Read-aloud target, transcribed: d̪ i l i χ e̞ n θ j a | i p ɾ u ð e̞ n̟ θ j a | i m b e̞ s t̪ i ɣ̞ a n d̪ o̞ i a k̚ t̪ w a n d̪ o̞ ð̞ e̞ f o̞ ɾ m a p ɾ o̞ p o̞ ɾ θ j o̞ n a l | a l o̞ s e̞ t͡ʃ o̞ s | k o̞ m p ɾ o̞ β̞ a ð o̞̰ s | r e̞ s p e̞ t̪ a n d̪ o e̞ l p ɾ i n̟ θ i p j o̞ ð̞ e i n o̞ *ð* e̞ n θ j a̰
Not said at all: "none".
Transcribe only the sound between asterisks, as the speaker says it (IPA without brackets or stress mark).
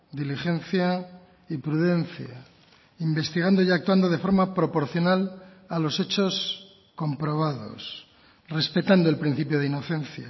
θ